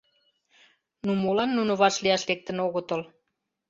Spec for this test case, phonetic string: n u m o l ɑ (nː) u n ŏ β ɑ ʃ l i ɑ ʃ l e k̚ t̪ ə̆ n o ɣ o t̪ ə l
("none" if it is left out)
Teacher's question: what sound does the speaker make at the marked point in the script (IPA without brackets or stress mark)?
nː